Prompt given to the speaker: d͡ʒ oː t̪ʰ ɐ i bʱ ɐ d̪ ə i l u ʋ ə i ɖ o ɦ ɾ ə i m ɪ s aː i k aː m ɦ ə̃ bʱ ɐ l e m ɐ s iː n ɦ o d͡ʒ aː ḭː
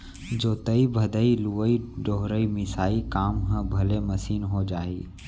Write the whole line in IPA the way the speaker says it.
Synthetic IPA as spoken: d͡ʒ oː t̪ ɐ i bʱ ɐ d̪ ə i l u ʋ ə i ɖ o ɦ ɾ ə i m ɪ s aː i k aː m ɦ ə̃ bʱ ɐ l e m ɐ s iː n ɦ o d͡ʒ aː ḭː